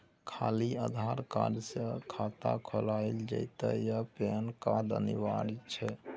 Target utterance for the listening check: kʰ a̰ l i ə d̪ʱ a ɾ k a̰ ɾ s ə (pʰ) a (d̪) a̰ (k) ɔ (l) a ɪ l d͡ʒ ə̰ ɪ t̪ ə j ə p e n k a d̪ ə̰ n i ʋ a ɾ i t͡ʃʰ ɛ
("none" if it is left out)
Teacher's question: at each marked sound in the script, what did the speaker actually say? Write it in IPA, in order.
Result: kʰ, t̪, kʰ, l

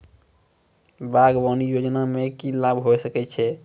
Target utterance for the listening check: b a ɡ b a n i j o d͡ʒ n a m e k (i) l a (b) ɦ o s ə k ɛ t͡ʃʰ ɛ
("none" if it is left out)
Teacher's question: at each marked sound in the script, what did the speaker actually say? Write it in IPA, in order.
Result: i, b

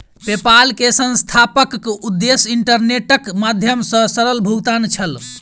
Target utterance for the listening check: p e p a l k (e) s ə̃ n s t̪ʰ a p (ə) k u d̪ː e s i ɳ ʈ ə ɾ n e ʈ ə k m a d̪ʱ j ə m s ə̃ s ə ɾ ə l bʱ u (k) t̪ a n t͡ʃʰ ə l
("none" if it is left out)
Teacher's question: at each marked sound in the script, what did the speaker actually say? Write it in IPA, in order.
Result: e, ə, ɡ

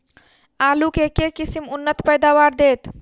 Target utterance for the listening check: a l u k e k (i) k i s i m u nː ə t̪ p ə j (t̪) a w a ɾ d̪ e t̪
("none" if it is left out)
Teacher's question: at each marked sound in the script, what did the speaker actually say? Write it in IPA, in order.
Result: e, d̪

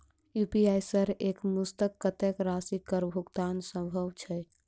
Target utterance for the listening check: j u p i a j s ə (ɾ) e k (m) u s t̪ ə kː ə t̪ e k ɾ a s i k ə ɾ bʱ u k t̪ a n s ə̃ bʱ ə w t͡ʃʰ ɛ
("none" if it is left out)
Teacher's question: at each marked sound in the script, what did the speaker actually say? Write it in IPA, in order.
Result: ɾ, m

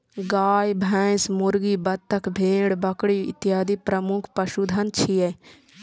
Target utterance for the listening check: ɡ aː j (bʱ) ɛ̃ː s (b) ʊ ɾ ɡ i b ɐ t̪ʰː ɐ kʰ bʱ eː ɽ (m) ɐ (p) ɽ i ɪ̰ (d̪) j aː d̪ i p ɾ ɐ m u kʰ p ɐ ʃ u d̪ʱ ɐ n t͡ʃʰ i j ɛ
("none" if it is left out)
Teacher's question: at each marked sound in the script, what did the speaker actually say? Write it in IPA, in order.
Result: bʱ, m, b, k, t̪

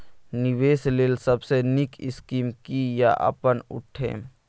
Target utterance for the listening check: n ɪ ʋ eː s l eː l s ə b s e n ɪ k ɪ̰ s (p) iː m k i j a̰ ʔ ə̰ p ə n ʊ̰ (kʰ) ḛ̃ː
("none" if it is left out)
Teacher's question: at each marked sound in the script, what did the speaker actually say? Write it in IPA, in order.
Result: k, ʈʰ

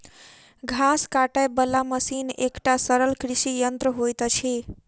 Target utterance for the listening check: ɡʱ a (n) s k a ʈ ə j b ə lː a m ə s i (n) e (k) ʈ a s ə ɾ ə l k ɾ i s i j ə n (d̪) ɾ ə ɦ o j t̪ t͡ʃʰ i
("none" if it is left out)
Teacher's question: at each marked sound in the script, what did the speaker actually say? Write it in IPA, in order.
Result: none, n, k, t̪

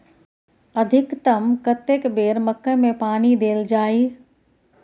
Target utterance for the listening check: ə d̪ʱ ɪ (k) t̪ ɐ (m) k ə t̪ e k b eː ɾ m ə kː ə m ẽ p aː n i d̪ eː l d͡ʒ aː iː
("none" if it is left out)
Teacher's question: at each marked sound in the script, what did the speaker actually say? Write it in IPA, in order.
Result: k, m

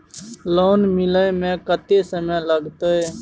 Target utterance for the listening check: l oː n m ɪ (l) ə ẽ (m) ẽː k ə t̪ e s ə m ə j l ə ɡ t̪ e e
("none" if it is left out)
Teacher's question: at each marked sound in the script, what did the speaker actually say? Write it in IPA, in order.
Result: l, m

